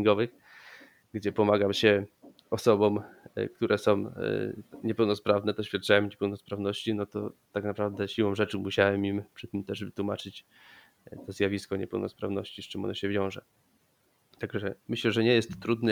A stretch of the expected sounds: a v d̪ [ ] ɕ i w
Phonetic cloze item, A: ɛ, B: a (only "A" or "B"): A